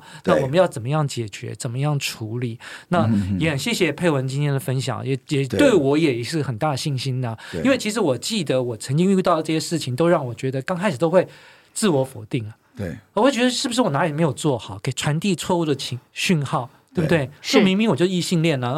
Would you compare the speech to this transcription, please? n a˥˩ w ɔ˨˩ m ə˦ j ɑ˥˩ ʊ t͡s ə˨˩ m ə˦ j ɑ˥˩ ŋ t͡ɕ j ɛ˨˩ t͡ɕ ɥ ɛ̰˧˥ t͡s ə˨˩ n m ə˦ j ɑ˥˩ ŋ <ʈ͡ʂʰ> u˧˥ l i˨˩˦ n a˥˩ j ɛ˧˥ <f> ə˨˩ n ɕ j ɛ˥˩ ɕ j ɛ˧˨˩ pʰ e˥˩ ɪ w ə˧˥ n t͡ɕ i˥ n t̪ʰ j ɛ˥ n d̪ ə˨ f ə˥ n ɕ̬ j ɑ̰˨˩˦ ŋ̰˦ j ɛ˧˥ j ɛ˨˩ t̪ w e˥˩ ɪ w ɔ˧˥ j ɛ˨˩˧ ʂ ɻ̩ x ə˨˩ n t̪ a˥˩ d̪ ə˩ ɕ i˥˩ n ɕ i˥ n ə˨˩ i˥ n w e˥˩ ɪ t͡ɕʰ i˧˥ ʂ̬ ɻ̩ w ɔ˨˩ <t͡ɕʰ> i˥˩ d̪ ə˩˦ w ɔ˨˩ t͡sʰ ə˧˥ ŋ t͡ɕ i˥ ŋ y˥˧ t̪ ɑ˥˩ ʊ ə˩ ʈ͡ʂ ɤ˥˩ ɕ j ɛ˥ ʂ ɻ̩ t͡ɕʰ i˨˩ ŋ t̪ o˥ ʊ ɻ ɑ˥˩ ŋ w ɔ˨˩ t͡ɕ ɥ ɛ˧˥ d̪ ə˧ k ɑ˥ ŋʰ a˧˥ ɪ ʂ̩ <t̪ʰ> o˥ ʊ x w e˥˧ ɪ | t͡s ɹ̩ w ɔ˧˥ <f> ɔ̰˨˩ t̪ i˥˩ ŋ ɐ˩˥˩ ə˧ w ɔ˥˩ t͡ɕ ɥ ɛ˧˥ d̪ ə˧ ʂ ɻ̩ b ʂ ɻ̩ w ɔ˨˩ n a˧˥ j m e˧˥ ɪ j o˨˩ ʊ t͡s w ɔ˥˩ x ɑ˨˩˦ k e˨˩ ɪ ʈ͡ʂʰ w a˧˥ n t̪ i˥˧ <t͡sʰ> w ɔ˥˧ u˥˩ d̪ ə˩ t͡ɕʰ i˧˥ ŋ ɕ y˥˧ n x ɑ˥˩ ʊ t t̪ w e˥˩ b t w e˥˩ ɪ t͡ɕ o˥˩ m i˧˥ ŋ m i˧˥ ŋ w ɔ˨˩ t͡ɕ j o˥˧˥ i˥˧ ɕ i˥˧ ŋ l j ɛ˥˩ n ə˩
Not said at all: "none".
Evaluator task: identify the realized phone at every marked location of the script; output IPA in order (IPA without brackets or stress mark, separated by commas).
ʈ͡ʂʰ, x, t͡ɕ, t̪, f, t͡sʰ